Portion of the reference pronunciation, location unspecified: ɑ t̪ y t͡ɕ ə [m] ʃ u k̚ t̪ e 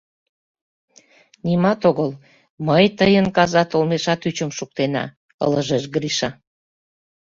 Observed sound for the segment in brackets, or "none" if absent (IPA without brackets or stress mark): m